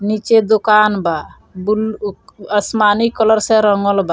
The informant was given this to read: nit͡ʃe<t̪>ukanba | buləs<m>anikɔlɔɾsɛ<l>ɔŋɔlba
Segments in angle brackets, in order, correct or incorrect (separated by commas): incorrect, correct, incorrect